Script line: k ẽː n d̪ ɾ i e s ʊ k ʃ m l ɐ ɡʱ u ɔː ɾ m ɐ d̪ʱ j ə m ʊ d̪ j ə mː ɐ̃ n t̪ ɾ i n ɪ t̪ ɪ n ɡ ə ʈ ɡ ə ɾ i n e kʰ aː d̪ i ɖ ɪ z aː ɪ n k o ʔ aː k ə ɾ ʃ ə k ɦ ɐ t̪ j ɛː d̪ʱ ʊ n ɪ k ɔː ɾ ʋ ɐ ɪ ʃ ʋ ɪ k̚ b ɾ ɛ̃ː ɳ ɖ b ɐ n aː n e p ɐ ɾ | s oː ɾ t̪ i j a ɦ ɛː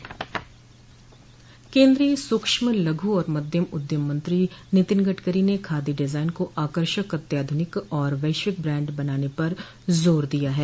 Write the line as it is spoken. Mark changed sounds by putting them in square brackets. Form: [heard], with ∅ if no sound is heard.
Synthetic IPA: k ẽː n d̪ ɾ i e s ʊ k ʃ m l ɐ ɡʱ u ɔː ɾ m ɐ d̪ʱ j ə m ʊ d̪ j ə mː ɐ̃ n t̪ ɾ i n ɪ t̪ ɪ n ɡ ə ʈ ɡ ə ɾ i n e kʰ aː d̪ i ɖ ɪ z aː ɪ n k o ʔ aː k ə ɾ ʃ ə k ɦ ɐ t̪ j [aː] d̪ʱ ʊ n ɪ k ɔː ɾ ʋ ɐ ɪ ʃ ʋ ɪ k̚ b ɾ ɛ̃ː ɳ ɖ b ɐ n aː n e p ɐ ɾ | [z] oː ɾ [d̪] i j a ɦ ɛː